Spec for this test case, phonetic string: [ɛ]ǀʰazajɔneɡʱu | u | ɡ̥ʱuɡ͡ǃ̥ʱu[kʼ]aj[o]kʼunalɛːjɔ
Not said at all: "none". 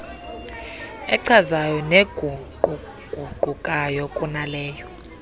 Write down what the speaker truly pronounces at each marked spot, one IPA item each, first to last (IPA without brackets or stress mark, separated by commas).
ɛ, kʼ, ɔ